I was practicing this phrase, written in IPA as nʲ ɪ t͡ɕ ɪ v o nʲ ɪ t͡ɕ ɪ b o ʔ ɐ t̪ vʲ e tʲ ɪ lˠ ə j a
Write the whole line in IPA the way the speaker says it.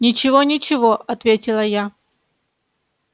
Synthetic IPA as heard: nʲ ɪ t͡ɕ ɪ v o nʲ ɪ t͡ɕ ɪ v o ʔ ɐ t̪ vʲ e tʲ ɪ lˠ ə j a